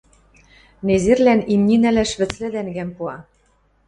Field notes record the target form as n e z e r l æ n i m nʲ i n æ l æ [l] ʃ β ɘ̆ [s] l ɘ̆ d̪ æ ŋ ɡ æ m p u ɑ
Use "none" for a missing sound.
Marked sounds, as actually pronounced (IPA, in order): none, t͡s

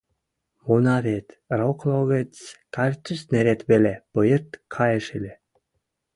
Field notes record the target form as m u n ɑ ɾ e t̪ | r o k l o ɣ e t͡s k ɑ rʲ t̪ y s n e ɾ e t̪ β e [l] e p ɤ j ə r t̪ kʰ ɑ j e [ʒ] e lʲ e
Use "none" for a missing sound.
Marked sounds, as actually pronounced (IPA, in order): l, ʃ

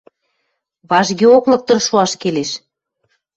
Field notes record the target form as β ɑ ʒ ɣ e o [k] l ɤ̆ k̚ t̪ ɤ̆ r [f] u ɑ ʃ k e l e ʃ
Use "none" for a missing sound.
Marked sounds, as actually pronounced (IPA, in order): k, ʃ

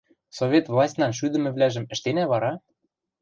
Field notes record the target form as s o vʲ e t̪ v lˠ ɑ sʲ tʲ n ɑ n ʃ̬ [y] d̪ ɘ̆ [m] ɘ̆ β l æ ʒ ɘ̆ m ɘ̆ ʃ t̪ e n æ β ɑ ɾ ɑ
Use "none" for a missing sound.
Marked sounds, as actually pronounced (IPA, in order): y, m

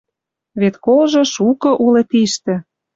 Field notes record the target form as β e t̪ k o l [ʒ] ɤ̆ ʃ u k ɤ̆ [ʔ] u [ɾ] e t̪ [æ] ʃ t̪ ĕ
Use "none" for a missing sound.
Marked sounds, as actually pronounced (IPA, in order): ʒ, ʔ, l, i

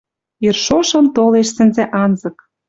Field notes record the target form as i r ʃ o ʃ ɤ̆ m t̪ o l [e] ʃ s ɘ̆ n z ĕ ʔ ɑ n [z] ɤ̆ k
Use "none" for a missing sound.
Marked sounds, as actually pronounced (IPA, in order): e, z

